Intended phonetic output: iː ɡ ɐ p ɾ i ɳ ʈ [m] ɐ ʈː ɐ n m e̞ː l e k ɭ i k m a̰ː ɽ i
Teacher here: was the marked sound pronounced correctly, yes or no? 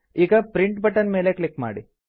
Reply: no